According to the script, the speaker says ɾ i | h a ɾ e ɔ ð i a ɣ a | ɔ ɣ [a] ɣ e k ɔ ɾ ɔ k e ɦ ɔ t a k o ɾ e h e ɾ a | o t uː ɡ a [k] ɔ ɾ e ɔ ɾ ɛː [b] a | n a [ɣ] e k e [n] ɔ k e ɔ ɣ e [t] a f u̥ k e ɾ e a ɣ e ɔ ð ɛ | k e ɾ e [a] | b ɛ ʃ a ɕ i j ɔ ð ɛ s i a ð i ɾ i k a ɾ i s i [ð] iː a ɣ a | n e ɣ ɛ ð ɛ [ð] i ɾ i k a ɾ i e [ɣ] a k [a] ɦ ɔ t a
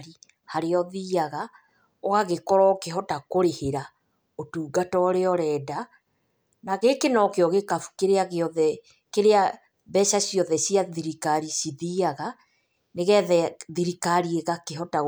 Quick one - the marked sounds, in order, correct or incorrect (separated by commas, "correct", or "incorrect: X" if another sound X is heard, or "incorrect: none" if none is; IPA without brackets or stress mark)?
correct, incorrect: t, incorrect: d, correct, correct, incorrect: k, correct, correct, correct, correct, incorrect: e